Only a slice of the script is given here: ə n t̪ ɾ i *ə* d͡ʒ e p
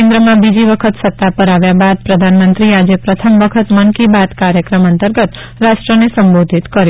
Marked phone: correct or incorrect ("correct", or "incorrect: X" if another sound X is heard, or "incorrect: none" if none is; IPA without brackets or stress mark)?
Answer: incorrect: a